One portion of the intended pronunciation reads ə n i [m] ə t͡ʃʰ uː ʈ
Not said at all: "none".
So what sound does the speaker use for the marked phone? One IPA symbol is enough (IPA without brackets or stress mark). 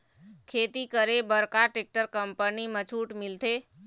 m